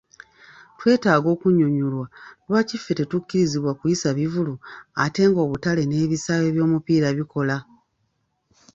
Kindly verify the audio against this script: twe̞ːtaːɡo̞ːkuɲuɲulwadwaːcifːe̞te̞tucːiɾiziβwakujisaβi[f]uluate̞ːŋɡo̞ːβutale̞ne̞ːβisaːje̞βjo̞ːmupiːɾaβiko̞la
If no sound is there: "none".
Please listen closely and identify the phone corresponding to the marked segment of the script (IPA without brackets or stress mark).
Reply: v